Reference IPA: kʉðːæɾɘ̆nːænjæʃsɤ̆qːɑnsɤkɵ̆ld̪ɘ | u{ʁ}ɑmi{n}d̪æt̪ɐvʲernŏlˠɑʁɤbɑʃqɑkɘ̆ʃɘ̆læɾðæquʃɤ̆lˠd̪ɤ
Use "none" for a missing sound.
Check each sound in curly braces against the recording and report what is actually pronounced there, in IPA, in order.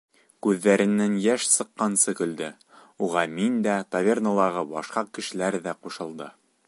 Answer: ʁ, n

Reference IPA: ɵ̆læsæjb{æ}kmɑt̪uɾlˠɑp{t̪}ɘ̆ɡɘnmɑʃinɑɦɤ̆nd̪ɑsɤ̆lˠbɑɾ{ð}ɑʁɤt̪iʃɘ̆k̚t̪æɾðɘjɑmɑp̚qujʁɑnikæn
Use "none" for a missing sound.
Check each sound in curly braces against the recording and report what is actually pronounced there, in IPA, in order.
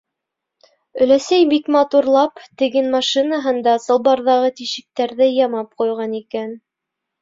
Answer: i, t̪, ð

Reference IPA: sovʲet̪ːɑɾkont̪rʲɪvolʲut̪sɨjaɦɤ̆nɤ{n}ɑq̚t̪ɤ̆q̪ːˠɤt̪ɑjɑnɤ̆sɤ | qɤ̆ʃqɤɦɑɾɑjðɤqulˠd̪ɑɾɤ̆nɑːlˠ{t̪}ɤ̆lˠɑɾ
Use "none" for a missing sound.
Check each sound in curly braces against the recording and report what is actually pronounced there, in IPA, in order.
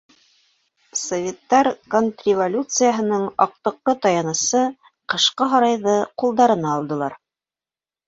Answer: ɴ, d̪

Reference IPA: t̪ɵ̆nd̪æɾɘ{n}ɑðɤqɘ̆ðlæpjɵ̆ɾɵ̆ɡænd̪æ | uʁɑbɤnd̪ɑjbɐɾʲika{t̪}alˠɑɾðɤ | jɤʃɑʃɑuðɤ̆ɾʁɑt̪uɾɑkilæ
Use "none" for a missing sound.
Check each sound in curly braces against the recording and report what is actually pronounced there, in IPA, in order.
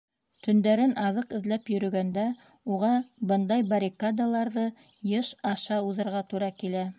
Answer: n, d̪

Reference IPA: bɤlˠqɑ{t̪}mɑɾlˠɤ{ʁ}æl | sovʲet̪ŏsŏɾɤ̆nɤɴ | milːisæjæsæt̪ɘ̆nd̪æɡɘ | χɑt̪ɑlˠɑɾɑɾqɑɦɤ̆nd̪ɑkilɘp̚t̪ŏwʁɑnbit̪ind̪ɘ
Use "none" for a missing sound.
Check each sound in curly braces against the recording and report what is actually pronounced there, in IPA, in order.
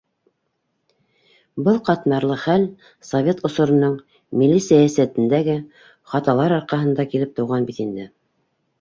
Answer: t̪, χ

